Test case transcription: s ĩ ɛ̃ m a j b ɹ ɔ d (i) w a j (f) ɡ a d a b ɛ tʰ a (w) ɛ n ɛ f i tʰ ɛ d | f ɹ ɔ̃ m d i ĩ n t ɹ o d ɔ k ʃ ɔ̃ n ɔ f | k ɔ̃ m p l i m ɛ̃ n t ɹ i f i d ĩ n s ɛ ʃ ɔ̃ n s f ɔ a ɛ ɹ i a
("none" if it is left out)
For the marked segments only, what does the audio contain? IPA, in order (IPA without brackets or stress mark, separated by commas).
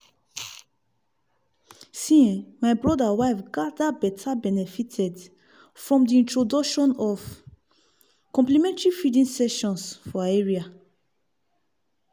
a, f, b